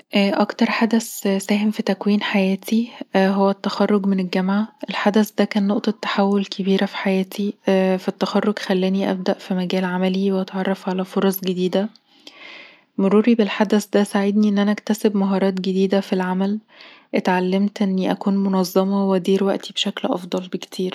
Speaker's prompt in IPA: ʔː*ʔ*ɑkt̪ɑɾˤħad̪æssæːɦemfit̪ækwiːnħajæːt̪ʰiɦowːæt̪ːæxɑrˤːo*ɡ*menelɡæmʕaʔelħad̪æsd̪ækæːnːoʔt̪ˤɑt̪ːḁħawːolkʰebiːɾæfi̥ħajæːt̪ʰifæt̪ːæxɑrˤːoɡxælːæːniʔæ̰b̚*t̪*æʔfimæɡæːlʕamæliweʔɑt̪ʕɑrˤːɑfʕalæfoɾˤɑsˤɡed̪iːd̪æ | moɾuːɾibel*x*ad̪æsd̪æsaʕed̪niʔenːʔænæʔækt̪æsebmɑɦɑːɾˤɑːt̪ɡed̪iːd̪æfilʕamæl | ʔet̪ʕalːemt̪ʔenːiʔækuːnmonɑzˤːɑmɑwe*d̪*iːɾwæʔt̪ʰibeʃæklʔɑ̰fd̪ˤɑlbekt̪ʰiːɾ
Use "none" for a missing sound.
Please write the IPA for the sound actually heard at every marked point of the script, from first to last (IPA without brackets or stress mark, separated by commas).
ʔ, ɡ, d̪, ħ, d̪